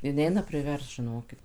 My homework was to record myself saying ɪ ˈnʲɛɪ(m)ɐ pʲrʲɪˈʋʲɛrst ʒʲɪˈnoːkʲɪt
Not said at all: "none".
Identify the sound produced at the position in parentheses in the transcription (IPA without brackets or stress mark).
n